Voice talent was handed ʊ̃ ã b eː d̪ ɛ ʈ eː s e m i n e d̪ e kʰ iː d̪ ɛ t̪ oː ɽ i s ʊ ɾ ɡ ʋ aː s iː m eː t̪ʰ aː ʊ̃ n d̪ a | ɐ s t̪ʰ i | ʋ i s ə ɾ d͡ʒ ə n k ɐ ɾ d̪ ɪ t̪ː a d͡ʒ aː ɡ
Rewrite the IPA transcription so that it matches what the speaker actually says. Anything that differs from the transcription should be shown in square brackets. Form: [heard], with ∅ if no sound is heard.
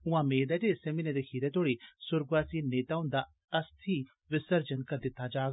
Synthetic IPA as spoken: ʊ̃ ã [m] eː d̪ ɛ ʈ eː s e m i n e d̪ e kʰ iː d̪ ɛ t̪ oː ɽ i s ʊ ɾ ɡ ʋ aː s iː [n] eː [t̪] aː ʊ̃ n d̪ a | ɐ s t̪ʰ i | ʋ [ɪ] s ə ɾ d͡ʒ ə n k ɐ ɾ d̪ ɪ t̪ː a d͡ʒ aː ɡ